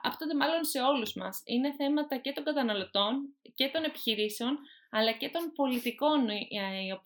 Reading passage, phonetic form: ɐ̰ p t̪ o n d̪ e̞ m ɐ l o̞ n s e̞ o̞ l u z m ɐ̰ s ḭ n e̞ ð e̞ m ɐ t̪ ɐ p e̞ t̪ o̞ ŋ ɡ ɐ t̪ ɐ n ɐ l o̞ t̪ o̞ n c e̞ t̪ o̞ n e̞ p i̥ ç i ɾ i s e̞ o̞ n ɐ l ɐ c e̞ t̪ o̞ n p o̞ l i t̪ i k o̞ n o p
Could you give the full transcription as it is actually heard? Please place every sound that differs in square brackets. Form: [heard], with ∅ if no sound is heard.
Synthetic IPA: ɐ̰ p t̪ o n d̪ e̞ m ɐ l o̞ n s e̞ o̞ l u z m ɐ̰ s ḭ n e̞ [θ] e̞ m ɐ t̪ ɐ [c] e̞ t̪ o̞ ŋ ɡ ɐ t̪ ɐ n ɐ l o̞ t̪ o̞ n c e̞ t̪ o̞ n e̞ p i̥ ç i ɾ i s e̞ o̞ n ɐ l ɐ c e̞ t̪ o̞ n p o̞ l i t̪ i k o̞ n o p